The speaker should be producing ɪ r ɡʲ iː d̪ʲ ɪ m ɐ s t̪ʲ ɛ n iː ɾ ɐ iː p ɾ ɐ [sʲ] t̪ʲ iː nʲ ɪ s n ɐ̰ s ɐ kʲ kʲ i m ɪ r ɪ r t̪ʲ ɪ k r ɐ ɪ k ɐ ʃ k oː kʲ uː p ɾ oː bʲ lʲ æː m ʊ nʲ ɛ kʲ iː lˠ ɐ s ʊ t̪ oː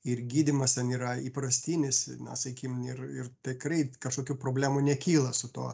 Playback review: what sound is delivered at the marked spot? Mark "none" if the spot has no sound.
sʲ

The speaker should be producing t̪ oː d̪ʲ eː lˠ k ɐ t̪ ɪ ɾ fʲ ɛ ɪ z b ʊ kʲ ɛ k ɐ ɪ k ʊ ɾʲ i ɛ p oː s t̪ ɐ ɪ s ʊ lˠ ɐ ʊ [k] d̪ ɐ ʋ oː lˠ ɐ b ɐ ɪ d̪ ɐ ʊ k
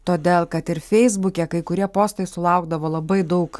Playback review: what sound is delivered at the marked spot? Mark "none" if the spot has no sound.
ɡ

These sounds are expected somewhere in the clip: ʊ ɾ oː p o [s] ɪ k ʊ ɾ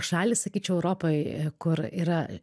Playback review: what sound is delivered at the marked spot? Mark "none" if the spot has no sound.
none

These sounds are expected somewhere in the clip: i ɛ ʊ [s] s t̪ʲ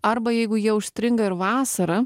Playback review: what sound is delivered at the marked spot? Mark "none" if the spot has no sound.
ʃ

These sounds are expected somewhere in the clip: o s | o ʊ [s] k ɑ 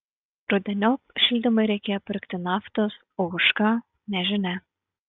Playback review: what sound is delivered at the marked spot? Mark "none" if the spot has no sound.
ʃ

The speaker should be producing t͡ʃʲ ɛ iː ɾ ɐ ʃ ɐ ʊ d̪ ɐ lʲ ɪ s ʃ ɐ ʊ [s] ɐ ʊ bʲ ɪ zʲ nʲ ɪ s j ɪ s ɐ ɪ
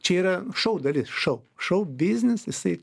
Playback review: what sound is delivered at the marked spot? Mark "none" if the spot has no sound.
ʃ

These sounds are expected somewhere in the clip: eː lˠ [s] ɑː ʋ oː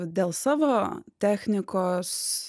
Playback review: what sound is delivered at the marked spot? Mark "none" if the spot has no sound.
s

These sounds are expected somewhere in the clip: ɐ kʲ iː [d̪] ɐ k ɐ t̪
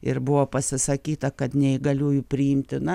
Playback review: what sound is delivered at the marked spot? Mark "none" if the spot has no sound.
t̪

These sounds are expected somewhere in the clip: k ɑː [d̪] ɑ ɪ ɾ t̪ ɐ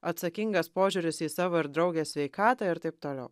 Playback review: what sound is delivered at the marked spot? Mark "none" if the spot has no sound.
t̪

